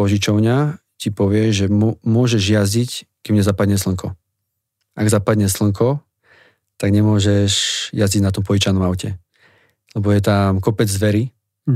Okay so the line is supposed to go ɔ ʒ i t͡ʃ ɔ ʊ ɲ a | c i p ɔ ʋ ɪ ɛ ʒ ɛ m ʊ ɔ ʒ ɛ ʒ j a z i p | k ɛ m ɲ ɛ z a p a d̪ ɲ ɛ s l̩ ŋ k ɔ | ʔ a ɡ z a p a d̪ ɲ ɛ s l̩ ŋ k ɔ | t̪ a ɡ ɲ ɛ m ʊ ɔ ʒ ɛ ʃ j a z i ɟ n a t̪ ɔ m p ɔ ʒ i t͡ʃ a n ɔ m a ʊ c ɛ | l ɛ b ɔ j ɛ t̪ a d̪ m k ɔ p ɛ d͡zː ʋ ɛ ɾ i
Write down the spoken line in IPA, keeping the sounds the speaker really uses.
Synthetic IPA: ɔ ʒ i t͡ʃ ɔ ʊ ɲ a | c i p ɔ ʋ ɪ ɛ ʒ ɛ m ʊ ɔ ʒ ɛ ʒ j a z i c | k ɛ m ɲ ɛ z a p a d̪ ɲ ɛ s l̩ ŋ k ɔ | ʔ a ɡ z a p a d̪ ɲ ɛ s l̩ ŋ k ɔ | t̪ a ɡ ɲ ɛ m ʊ ɔ ʒ ɛ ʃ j a z i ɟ n a t̪ ɔ m p ɔ ʒ i t͡ʃ a n ɔ m a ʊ c ɛ | l ɛ b ɔ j ɛ t̪ a m k ɔ p ɛ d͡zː ʋ ɛ ɾ i